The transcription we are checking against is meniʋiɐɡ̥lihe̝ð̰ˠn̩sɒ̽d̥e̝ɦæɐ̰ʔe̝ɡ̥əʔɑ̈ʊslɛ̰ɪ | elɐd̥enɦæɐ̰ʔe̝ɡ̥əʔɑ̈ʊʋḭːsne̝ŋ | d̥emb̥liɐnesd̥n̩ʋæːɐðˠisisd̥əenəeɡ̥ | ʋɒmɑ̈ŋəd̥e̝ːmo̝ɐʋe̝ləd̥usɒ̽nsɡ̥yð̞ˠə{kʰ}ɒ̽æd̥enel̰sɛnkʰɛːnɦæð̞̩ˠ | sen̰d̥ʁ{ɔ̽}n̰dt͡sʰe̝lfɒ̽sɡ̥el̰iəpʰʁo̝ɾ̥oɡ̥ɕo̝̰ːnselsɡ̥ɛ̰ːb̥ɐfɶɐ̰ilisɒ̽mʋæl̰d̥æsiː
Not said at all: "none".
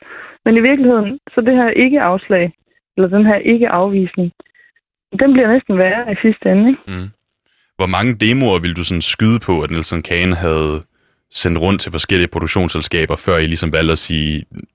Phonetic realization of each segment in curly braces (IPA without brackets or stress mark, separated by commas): pʰ, ɔ̽